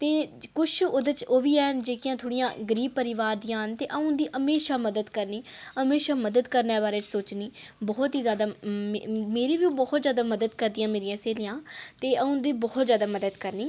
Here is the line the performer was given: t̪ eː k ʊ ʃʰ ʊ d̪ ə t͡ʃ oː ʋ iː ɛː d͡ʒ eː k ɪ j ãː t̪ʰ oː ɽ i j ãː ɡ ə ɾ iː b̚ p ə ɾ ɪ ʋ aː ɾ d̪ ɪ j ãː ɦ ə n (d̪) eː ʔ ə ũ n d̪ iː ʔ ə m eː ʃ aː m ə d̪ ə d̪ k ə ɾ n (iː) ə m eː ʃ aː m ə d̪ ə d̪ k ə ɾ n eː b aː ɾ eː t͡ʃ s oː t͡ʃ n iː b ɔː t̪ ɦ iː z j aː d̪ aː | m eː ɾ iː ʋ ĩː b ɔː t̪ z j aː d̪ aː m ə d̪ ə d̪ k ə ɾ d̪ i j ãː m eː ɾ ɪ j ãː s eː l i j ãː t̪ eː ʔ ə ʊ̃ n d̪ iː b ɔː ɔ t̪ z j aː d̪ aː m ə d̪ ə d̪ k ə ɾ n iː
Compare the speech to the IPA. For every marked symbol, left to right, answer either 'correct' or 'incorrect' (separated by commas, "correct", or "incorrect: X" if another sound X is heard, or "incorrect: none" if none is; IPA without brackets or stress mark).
incorrect: t̪, correct